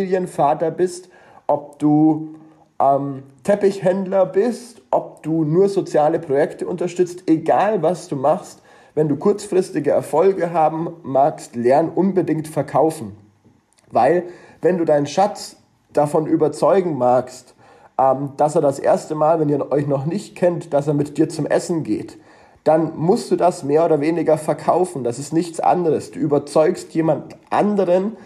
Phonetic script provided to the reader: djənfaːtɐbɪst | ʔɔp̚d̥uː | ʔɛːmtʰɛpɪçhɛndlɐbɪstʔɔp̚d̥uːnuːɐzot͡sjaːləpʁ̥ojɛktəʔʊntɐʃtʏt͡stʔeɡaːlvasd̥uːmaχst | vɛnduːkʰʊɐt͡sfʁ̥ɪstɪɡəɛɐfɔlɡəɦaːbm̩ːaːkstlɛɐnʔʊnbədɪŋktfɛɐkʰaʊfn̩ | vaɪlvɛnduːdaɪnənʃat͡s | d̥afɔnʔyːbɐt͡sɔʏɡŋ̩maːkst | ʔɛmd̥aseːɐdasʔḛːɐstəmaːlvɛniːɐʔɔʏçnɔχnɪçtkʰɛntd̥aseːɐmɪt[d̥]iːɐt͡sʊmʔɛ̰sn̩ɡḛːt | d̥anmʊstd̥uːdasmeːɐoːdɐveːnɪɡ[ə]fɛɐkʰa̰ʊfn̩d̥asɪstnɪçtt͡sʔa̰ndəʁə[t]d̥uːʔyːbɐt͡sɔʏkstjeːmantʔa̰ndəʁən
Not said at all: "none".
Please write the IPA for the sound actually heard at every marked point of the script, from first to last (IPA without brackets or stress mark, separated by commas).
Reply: d̥, ɐ, s